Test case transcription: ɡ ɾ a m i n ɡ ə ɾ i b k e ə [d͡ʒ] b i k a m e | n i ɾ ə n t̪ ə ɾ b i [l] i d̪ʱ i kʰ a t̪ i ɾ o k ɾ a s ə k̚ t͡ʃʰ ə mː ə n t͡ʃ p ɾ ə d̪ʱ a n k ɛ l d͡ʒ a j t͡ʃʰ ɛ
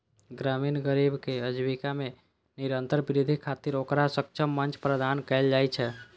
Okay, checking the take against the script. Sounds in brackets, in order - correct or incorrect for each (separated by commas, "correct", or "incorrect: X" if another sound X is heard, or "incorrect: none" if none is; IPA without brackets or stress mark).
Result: correct, incorrect: ɾ